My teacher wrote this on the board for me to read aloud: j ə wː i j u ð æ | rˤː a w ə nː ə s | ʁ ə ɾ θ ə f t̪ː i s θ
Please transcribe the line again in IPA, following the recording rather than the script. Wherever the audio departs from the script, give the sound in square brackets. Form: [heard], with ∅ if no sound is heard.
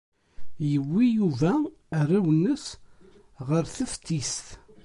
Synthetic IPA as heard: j ə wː i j u [v] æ | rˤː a w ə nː ə s | ʁ ə ɾ θ ə f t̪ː i s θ